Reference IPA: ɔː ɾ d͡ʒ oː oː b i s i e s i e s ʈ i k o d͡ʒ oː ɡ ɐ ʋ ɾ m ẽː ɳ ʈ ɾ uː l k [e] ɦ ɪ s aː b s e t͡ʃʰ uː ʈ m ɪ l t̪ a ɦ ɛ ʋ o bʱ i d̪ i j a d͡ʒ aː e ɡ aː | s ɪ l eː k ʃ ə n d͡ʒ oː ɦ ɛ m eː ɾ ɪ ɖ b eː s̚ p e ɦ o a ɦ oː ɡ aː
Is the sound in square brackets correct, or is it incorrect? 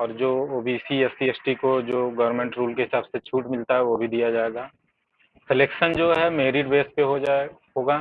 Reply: correct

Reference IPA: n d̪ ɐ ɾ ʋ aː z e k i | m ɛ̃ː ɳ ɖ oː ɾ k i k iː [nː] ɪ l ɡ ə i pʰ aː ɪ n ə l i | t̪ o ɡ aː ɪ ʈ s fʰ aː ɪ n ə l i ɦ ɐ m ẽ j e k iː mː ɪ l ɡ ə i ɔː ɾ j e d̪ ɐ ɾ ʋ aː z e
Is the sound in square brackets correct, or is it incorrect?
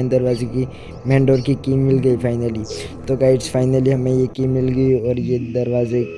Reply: incorrect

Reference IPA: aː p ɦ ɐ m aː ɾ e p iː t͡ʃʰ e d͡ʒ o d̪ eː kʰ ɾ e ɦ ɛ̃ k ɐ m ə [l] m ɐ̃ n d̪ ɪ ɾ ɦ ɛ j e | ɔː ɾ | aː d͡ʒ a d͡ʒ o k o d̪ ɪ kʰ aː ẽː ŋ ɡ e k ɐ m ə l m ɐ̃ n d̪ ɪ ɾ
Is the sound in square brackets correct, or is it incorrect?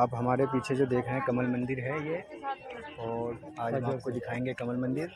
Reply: correct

